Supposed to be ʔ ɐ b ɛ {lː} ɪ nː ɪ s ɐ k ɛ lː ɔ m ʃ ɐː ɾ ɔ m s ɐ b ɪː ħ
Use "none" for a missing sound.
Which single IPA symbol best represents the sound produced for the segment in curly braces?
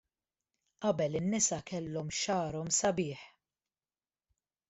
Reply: l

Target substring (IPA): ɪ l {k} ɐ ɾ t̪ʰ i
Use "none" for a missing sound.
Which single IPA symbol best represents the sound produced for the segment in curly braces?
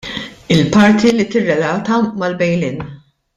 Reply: p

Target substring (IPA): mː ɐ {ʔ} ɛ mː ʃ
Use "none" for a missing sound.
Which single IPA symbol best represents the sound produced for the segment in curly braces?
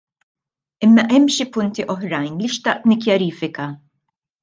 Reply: ʔ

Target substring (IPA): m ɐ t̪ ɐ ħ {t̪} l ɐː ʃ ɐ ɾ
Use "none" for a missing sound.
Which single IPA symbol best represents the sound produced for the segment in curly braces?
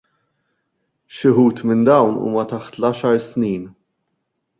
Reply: t̪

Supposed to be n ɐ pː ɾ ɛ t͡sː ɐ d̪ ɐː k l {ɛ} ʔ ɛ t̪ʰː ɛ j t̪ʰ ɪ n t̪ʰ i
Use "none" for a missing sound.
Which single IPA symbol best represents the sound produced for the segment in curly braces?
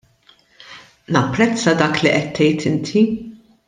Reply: i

